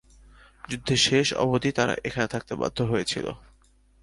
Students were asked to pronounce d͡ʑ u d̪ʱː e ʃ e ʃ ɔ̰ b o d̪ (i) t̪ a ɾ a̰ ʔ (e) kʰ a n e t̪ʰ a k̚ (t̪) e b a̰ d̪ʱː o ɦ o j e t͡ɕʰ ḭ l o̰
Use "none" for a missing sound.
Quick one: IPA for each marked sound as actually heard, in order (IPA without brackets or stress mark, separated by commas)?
i, e, t̪